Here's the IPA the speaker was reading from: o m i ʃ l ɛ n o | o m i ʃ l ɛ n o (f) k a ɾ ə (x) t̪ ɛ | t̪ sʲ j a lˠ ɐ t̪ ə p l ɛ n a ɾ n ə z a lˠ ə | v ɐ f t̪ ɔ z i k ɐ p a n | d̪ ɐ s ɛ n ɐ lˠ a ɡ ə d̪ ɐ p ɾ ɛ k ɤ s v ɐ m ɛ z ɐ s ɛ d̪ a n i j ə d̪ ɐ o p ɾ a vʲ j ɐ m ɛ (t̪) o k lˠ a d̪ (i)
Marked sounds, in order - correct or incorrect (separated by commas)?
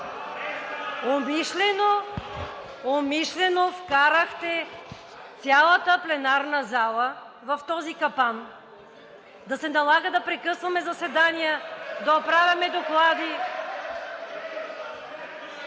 correct, correct, incorrect, correct